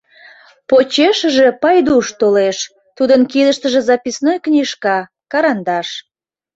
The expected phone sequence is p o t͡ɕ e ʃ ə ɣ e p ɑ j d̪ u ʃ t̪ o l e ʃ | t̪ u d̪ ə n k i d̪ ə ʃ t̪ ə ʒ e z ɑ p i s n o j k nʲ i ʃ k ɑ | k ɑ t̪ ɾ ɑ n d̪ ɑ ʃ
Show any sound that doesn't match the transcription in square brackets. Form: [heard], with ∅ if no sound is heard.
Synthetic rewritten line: p o t͡ɕ e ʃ ə [ʒ] e p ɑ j d̪ u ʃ t̪ o l e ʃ | t̪ u d̪ ə n k i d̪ ə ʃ t̪ ə ʒ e z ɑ p i s n o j k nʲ i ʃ k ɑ | k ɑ [∅] ɾ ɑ n d̪ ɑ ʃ

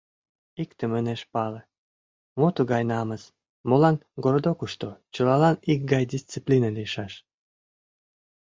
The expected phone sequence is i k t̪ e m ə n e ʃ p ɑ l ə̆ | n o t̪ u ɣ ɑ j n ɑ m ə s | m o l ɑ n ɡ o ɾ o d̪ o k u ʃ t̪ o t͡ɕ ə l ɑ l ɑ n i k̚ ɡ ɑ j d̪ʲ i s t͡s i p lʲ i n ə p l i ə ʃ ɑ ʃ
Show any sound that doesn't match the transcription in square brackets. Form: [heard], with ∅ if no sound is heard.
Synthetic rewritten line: i k t̪ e m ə n e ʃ p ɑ l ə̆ | [m] o t̪ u ɣ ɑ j n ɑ m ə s | m o l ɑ n ɡ o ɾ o d̪ o k u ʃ t̪ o t͡ɕ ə l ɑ l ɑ n i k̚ ɡ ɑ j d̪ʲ i s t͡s i p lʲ i n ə [∅] l i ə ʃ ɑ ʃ

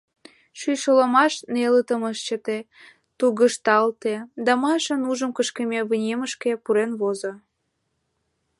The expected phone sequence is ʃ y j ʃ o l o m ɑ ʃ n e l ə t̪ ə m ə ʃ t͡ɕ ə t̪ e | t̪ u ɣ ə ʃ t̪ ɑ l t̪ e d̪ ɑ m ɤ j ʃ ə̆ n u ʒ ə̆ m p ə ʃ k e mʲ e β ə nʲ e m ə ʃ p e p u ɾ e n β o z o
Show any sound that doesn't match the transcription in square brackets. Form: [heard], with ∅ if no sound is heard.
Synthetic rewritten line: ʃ y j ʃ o l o m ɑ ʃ n e l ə t̪ ə m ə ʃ t͡ɕ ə t̪ e | t̪ u ɣ ə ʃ t̪ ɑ l t̪ e d̪ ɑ m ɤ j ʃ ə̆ n u ʒ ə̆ m [k] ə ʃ k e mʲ e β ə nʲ e m ə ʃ [k] e p u ɾ e n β o z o

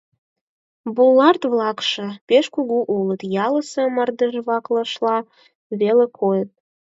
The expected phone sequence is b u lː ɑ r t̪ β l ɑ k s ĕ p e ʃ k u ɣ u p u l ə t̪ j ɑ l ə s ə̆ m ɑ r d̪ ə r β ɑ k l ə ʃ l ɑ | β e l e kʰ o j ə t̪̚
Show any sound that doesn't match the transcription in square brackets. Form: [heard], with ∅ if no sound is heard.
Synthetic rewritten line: b u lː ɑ r t̪ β l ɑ k [ʃ] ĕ p e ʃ k u ɣ u [ʔ] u l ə t̪ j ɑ l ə s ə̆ m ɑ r d̪ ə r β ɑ k l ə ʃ l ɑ | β e l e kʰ o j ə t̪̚

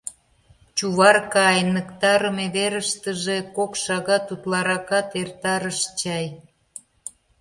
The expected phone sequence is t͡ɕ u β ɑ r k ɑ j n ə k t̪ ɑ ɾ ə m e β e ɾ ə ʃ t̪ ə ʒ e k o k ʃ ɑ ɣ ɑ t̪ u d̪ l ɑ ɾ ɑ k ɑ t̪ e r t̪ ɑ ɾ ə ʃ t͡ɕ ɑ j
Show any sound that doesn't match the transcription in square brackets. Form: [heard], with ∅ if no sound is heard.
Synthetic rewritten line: t͡ɕ u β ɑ r k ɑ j n ə k t̪ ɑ ɾ ə m e β e ɾ ə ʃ t̪ ə ʒ e k o k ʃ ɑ ɣ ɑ t̪ u [t̪] l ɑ ɾ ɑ k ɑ t̪ e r t̪ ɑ ɾ ə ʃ t͡ɕ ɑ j

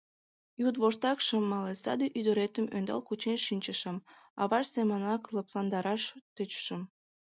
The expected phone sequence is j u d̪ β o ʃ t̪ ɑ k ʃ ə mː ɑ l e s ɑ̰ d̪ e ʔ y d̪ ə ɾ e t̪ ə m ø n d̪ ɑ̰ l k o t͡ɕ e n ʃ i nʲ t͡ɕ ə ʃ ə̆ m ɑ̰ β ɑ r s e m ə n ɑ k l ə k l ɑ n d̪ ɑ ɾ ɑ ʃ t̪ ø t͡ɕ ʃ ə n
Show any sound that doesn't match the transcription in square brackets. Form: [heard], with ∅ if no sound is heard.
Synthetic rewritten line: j u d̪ β o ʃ t̪ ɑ k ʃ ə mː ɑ l e s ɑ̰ d̪ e ʔ y d̪ ə ɾ e t̪ ə m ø n d̪ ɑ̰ l k [u] t͡ɕ e n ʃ i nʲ t͡ɕ ə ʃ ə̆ m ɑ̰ β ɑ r s e m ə n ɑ k l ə [p] l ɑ n d̪ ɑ ɾ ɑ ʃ t̪ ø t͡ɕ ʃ ə [m]

